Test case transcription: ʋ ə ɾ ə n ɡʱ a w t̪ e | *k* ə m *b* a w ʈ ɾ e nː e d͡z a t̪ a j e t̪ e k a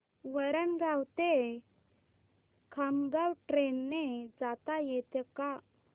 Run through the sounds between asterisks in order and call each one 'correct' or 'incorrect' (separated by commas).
incorrect, incorrect